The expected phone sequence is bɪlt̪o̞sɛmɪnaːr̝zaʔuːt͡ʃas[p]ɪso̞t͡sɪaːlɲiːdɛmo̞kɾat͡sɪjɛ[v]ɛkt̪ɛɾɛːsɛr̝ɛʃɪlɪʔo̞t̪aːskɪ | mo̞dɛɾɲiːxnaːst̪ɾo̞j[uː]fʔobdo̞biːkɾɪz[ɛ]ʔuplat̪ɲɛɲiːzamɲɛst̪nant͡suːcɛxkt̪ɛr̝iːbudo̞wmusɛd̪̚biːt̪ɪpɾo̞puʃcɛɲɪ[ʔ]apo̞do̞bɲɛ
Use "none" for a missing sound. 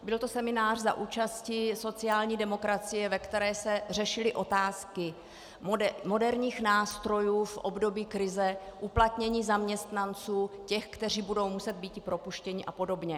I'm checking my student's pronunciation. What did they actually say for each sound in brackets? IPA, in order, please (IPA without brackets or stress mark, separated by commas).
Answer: c, v, uː, ɛ, ʔ